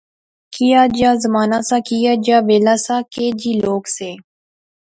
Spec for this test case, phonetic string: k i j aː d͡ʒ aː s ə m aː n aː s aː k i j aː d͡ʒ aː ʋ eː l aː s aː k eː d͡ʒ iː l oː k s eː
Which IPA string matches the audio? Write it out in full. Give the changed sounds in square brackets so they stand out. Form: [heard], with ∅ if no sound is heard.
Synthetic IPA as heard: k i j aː d͡ʒ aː [z] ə m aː n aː s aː k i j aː d͡ʒ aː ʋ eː l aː s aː k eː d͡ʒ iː l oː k s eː